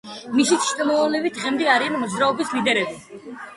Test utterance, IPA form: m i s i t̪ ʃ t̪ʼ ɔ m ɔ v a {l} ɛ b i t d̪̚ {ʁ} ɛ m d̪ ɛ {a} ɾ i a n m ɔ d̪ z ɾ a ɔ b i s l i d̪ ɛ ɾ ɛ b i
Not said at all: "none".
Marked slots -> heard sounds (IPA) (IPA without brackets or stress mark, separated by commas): l, ʁ, a